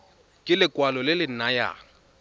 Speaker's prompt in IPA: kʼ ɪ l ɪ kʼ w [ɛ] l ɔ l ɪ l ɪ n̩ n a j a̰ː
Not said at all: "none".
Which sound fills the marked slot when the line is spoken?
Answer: a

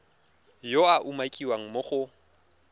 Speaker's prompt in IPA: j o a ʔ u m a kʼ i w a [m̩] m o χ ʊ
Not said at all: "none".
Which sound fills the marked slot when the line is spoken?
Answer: ŋ̩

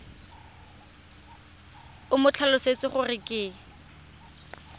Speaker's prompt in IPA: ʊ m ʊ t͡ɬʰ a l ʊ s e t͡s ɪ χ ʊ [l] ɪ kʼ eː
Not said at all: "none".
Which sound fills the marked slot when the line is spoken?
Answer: r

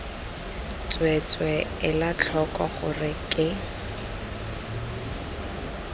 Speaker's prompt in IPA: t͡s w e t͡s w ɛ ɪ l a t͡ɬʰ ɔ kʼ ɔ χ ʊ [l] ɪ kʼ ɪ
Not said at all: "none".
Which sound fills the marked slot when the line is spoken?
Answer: r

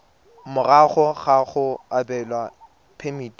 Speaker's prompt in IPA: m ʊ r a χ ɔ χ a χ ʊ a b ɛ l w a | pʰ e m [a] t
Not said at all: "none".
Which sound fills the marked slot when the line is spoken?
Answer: i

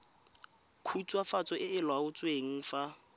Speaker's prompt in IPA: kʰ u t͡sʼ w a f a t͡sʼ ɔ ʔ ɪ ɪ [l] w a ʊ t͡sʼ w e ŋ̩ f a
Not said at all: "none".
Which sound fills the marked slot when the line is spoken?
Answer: l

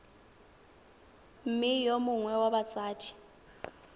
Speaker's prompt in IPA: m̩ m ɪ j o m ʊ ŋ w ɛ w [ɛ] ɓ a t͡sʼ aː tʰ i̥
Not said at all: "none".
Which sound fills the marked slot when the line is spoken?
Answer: a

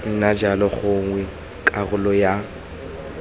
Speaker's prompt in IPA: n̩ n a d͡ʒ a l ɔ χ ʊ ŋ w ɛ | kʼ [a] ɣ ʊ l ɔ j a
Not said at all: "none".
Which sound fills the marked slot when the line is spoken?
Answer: a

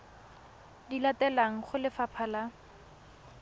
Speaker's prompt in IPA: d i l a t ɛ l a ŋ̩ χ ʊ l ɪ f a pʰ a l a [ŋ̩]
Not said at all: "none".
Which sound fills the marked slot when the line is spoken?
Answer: none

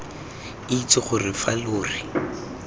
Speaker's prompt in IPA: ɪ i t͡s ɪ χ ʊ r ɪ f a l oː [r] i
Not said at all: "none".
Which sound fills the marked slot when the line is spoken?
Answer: r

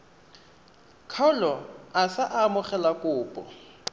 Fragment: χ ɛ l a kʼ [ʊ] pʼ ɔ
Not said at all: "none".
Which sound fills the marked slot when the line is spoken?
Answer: ʊː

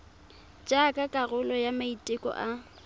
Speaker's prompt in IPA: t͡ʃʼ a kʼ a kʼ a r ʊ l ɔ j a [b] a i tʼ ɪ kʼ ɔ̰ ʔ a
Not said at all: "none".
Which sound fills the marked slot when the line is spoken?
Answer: m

